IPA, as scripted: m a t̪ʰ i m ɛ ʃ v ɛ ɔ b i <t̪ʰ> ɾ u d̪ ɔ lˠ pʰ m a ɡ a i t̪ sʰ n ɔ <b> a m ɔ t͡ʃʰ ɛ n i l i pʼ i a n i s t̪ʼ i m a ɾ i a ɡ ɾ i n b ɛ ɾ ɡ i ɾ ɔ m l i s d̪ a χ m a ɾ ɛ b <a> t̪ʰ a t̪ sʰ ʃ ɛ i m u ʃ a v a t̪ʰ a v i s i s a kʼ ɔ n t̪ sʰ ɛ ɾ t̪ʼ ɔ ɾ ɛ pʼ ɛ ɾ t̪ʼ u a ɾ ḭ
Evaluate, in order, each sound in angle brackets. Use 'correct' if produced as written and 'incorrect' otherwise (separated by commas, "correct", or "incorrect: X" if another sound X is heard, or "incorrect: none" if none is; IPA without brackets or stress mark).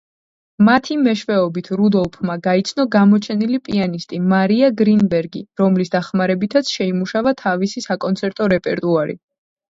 correct, incorrect: ɡ, incorrect: i